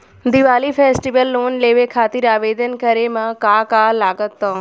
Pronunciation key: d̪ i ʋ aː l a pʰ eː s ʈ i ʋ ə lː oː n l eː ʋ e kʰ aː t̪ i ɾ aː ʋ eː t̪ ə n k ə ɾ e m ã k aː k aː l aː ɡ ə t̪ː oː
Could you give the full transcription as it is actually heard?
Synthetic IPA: d̪ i ʋ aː l i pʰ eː s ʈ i ʋ ə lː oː n l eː ʋ e kʰ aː t̪ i ɾ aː ʋ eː d̪ ə n k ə ɾ e m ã k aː k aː l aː ɡ ə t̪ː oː